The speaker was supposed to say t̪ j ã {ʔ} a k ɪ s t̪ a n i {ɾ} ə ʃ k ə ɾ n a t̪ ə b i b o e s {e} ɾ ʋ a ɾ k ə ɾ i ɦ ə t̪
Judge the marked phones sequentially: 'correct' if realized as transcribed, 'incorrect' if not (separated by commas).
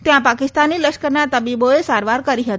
incorrect, incorrect, incorrect